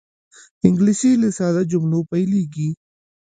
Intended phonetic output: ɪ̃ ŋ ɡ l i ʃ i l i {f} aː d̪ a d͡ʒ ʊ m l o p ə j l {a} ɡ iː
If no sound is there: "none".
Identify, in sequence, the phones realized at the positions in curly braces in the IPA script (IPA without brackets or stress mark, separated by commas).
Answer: s, i